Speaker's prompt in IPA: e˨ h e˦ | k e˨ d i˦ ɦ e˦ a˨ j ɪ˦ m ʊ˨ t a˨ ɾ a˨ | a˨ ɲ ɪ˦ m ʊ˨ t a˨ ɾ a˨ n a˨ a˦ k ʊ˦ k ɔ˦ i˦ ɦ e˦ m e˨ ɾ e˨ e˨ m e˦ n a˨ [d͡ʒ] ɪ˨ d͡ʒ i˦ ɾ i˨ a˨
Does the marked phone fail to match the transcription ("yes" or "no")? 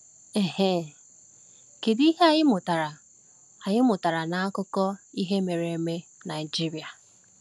yes